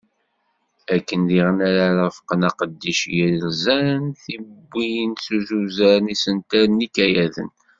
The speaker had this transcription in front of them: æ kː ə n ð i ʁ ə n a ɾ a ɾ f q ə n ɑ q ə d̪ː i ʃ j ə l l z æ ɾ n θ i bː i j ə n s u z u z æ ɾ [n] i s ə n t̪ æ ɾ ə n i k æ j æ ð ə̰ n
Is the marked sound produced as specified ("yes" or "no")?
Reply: yes